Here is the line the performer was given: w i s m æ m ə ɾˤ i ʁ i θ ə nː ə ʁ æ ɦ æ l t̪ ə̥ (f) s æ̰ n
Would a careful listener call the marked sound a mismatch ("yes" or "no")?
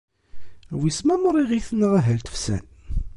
no